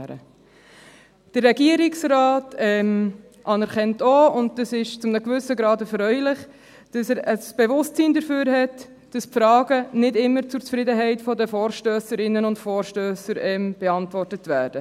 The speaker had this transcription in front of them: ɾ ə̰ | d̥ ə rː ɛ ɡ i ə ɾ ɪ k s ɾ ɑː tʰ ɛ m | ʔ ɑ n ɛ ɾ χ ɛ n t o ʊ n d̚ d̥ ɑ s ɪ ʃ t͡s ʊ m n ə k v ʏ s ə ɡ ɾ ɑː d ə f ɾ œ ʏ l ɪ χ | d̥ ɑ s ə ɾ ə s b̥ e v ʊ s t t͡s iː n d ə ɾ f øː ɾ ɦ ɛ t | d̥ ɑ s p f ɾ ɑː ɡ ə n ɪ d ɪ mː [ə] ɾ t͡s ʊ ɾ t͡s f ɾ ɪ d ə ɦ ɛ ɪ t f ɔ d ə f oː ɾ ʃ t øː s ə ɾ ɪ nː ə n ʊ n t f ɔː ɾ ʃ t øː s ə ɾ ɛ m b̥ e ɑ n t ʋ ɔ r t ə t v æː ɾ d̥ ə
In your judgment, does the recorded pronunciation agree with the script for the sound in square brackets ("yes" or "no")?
yes